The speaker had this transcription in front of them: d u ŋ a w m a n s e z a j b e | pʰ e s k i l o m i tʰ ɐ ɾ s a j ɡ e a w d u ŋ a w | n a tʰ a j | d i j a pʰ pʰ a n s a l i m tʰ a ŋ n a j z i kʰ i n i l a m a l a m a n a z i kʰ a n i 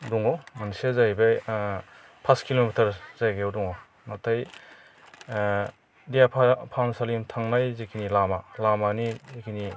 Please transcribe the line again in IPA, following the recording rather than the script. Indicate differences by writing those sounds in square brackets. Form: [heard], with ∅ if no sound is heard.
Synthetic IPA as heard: d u ŋ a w m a n s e z a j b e | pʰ [a] s k i l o m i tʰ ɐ ɾ [z] a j ɡ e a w d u ŋ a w | n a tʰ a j | d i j a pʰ pʰ a n s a l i m tʰ a ŋ n a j z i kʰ i n i l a m a l a m a n [i] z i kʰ [i] n i